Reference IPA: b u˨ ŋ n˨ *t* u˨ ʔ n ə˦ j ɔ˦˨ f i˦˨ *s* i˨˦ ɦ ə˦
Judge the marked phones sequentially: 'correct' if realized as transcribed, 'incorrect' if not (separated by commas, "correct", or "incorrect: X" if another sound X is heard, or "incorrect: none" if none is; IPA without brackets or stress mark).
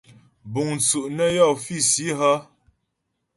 incorrect: t͡s, correct